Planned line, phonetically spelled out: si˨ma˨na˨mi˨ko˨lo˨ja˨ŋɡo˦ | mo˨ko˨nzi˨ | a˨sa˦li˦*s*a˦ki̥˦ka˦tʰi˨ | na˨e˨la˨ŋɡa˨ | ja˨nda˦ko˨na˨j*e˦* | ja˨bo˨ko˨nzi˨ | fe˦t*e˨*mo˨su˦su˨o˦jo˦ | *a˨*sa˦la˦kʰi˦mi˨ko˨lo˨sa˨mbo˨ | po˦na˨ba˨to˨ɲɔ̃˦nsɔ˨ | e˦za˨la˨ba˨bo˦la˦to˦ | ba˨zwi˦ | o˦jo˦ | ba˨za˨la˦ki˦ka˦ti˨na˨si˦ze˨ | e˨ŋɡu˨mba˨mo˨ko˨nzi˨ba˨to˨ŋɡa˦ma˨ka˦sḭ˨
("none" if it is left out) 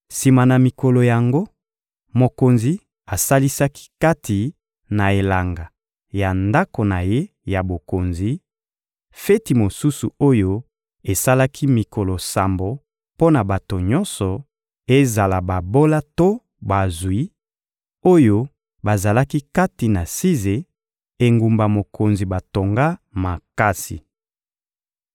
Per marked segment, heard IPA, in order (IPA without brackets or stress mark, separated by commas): s, e˦, i˨, e˨